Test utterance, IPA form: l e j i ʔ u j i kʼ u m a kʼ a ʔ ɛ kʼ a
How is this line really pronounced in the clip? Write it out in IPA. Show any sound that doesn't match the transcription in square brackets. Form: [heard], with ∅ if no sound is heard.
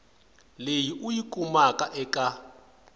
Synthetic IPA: l e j i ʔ u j i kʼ u m a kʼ a ʔ ɛ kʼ a